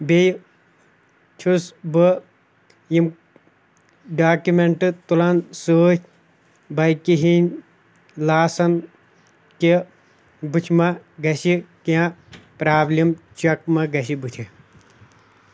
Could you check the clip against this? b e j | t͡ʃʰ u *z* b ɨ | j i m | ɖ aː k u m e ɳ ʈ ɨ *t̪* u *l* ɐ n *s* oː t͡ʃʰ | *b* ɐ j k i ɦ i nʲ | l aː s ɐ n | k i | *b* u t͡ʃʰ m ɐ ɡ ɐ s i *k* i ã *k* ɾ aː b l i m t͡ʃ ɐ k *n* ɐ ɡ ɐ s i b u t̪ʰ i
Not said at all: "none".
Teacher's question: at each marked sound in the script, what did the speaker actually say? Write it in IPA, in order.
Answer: s, t̪, l, s, b, b, k, p, m

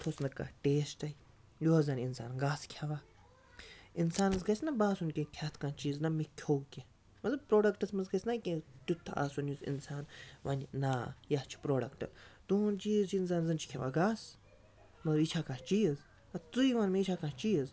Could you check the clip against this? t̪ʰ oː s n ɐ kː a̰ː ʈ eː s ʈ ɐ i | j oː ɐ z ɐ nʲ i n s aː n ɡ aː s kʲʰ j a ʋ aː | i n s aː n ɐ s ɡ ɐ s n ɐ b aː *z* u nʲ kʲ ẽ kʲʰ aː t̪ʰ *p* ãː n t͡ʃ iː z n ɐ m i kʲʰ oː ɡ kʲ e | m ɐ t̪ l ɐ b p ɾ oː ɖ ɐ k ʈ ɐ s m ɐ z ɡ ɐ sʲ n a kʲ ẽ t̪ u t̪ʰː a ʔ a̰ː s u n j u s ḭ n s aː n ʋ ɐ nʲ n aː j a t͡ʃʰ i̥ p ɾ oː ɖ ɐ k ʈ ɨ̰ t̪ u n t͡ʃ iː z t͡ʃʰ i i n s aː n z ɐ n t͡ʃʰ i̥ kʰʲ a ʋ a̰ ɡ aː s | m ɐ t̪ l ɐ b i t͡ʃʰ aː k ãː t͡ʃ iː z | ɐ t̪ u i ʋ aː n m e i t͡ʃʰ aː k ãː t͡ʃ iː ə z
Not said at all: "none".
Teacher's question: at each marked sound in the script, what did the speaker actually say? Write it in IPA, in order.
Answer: s, k

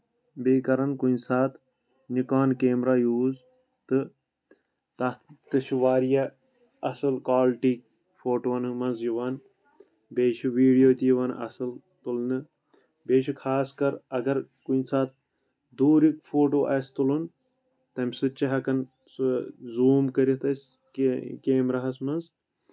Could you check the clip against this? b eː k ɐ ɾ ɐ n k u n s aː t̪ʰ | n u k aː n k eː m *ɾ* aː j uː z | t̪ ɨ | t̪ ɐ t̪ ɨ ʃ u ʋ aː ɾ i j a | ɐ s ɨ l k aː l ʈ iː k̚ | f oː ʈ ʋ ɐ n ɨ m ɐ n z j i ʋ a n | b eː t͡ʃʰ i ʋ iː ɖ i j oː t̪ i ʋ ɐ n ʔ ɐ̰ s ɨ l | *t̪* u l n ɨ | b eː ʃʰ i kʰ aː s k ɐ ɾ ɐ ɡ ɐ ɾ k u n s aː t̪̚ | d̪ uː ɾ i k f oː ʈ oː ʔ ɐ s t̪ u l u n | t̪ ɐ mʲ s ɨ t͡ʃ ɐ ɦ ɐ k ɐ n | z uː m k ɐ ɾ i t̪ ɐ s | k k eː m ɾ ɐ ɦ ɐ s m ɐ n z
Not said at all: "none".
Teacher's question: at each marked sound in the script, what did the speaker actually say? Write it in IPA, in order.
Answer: ɾ, t̪

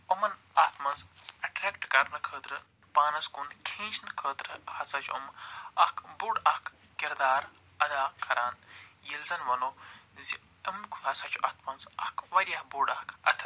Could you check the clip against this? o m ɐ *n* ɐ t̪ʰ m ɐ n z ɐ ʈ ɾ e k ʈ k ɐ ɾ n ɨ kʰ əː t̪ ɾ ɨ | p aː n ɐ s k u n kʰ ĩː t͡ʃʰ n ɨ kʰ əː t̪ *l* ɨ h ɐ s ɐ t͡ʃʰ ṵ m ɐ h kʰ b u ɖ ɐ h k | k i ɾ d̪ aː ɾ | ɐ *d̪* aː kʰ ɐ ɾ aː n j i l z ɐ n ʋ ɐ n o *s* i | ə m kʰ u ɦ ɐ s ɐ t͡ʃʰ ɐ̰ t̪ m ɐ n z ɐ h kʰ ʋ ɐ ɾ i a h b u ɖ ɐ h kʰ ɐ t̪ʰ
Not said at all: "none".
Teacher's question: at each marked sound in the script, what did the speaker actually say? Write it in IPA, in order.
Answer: n, ɾ, d̪, z

